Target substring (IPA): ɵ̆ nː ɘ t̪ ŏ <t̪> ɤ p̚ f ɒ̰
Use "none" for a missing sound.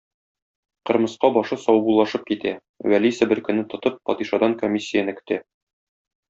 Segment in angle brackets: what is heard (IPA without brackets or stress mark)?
t̪